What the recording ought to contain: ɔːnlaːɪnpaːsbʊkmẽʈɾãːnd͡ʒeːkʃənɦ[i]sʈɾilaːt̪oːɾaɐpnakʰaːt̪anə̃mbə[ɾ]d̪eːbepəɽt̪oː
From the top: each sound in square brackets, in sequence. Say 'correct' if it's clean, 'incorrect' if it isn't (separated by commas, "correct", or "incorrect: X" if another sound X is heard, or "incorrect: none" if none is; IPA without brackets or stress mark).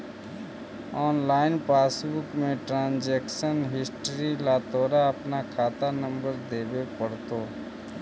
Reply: incorrect: ɪ, correct